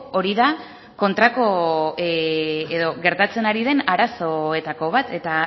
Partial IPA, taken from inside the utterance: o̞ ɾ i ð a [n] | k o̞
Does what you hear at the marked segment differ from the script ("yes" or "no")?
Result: yes